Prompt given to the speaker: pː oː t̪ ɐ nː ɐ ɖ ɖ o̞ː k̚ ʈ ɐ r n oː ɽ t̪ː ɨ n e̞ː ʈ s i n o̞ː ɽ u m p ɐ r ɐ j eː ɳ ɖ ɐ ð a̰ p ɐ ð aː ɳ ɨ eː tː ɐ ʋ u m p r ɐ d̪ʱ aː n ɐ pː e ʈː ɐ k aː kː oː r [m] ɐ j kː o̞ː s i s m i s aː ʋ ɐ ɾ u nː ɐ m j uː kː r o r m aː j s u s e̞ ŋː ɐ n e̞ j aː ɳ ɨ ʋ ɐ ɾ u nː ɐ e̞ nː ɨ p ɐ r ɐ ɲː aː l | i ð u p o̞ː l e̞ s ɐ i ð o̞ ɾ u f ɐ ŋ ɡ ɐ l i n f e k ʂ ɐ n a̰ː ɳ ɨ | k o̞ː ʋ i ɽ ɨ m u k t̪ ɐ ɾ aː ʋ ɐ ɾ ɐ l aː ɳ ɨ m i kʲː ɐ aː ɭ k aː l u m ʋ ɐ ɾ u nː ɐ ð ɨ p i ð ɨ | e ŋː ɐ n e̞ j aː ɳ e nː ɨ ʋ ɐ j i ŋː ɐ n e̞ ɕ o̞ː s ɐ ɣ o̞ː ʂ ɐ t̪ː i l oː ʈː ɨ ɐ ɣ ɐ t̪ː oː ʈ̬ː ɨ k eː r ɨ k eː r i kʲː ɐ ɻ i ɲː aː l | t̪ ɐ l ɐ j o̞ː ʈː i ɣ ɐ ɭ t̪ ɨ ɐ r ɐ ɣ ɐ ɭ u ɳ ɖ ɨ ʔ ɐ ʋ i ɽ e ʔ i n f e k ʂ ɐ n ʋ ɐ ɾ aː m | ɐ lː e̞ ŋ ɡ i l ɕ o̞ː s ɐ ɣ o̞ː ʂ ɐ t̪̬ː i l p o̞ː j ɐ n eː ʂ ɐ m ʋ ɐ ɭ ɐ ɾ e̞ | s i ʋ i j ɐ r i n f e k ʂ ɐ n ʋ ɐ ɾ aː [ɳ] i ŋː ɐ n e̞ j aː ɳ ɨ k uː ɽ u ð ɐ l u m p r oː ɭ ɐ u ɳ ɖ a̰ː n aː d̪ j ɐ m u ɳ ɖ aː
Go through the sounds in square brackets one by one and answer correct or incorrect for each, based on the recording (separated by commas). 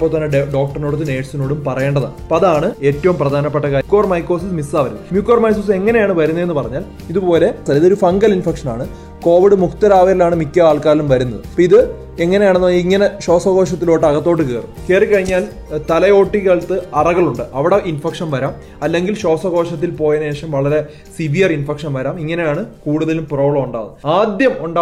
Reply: correct, incorrect